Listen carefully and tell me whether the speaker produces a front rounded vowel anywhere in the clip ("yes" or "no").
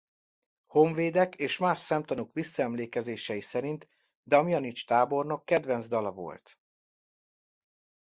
no